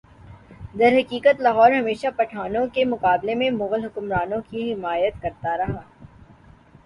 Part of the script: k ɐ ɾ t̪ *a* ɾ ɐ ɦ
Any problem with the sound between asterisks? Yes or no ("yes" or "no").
no